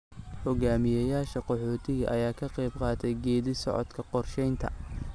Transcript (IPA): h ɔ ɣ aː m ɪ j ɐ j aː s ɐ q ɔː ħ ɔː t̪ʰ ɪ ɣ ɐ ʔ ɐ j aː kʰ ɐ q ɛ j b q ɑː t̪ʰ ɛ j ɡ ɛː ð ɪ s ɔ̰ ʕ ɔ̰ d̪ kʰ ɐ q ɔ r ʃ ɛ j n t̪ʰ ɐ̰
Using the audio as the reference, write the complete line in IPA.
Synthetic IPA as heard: h ɔ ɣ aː m ɪ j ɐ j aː ʃ ɐ q ɔ ħ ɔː t̪ʰ ɪ ɣ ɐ ʔ ɐ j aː kʰ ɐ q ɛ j b q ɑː t̪ʰ ɛ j ɡ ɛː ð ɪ s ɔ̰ ʕ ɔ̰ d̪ kʰ ɐ q ɔ r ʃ ɛ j n t̪ʰ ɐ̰